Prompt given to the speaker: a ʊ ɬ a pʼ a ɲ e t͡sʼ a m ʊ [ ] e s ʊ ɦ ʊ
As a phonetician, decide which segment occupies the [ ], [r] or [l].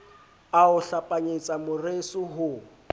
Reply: r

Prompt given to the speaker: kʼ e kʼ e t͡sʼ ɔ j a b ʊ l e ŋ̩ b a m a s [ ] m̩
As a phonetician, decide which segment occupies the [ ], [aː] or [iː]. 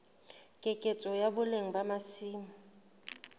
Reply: iː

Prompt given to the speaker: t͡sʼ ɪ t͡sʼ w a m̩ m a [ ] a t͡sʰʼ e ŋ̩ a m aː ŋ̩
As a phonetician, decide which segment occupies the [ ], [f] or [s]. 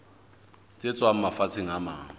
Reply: f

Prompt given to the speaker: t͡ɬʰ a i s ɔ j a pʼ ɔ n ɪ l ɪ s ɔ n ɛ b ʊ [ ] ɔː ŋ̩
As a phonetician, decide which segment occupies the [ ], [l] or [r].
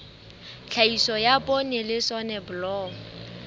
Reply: l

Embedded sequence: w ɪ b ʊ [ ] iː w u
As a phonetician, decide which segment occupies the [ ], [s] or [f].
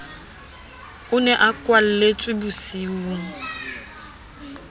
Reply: s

